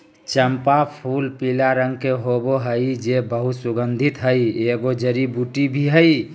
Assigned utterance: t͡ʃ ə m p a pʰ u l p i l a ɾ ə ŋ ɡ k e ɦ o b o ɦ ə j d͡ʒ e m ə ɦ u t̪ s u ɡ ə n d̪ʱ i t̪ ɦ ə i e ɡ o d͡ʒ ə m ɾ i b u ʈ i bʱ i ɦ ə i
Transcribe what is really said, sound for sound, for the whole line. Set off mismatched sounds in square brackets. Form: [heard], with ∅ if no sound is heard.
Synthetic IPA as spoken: t͡ʃ ə m p a pʰ u l p i l a ɾ ə ŋ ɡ k e ɦ o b o ɦ ə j d͡ʒ e [b] ə ɦ u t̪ s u ɡ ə n d̪ʱ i t̪ ɦ ə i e ɡ o d͡ʒ ə [∅] ɾ i b u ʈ i bʱ i ɦ ə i